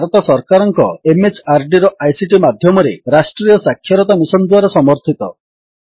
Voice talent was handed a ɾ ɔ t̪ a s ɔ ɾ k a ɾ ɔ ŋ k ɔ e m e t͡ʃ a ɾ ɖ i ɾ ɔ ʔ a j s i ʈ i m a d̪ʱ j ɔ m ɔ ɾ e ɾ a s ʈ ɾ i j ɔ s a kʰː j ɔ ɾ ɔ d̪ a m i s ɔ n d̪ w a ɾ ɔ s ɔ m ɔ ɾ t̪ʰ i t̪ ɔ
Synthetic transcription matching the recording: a ɾ ɔ t̪ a s ɔ ɾ k a ɾ ɔ ŋ k ɔ e m e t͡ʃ a ɾ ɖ i ɾ ɔ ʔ a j s i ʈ i m a d̪ʱ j ɔ m ɔ ɾ e ɾ a s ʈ ɾ i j ɔ s a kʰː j ɔ ɾ ɔ t̪ a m i s ɔ n d̪ w a ɾ ɔ s ɔ m ɔ ɾ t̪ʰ i t̪ ɔ

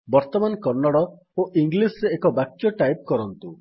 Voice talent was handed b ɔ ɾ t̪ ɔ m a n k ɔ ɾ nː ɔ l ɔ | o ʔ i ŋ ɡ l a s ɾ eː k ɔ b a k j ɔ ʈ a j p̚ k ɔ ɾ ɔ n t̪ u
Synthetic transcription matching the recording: b ɔ ɾ t̪ ɔ m a n k ɔ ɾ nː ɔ ɽ ɔ | o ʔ i ŋ ɡ l i s ɾ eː k ɔ b a k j ɔ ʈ a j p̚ k ɔ ɾ ɔ n t̪ u

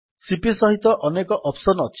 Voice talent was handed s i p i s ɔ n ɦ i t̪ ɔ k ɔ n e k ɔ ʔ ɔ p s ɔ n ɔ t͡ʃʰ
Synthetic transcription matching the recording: s i p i s ɔ ɦ i t̪ ɔ ʔ ɔ n e k ɔ ʔ ɔ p s ɔ n ɔ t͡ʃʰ

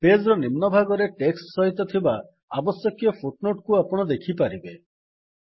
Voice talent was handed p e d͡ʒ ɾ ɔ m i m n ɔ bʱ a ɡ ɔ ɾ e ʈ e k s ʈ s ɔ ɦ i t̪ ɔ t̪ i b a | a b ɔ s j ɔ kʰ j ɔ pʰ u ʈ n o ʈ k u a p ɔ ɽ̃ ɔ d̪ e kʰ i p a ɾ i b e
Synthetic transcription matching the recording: p e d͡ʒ ɾ ɔ n i m n ɔ bʱ a ɡ ɔ ɾ e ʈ e k s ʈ s ɔ ɦ i t̪ ɔ t̪ʰ i b a | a b ɔ s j ɔ k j ɔ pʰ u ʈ n o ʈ k u a p ɔ ɽ̃ ɔ d̪ e kʰ i p a ɾ i b e

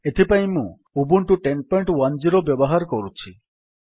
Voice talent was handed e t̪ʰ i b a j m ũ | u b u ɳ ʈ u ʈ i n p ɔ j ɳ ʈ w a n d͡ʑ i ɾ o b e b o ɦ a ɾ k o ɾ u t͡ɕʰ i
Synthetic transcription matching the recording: e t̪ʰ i p a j m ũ | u b u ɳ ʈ u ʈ e n p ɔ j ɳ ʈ w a n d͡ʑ i ɾ o b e b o ɦ a ɾ k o ɾ u t͡ɕʰ i

